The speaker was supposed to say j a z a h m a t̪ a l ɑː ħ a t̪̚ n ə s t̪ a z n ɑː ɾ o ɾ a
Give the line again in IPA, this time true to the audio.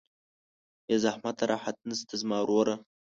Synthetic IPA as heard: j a z a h m a t̪ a ɾ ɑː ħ a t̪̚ n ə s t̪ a z m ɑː ɾ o ɾ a